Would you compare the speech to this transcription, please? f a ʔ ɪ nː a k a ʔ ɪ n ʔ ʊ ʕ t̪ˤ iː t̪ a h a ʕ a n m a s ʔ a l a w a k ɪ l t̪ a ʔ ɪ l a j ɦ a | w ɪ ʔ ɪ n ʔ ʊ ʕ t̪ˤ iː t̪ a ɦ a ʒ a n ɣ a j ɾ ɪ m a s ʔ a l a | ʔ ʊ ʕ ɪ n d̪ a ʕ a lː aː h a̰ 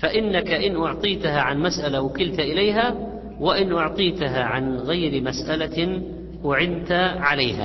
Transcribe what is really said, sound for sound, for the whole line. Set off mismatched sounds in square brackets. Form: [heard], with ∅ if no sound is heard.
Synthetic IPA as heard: f a ʔ ɪ nː a k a ʔ ɪ n ʔ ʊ ʕ t̪ˤ iː t̪ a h a ʕ a n m a s ʔ a l a w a k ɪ l t̪ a ʔ ɪ l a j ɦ a | w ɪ ʔ ɪ n ʔ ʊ ʕ t̪ˤ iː t̪ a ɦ a [ʕ] a n ɣ a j ɾ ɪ m a s ʔ a l a | ʔ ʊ ʕ ɪ n [t̪] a ʕ a [l] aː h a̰